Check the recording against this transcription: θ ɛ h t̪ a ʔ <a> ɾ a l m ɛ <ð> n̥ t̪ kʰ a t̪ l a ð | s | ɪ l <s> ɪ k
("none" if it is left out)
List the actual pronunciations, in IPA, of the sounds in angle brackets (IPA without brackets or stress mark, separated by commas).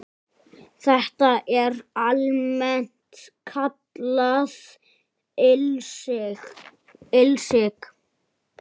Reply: ɛ, none, s